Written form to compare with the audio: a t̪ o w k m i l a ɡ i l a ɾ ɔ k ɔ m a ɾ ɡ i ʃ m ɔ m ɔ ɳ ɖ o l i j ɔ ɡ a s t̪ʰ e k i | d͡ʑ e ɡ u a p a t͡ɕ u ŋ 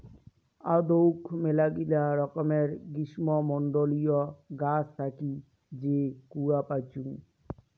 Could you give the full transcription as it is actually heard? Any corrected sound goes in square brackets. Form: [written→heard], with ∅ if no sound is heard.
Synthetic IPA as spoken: a [t̪→d̪] o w k m [i→e] l a ɡ i l a ɾ ɔ k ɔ m [a→e] ɾ ɡ i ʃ m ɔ m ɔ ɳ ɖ o l i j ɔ ɡ a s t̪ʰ [e→a] k i | d͡ʑ e [ɡ→k] u a p a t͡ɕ u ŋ